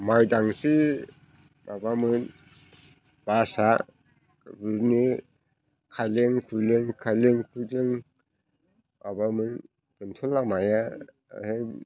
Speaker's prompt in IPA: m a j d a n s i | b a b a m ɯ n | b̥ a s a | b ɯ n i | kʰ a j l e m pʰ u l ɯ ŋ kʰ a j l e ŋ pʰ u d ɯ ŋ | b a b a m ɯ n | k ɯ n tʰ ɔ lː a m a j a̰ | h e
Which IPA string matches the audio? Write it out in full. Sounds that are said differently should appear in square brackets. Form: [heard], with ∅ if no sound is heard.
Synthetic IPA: m a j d a [ŋ] s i | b a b a m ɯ n | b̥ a s a | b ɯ n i | kʰ a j l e [ŋ] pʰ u l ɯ ŋ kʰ a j l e ŋ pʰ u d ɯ ŋ | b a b a m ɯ n | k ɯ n tʰ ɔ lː a m a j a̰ | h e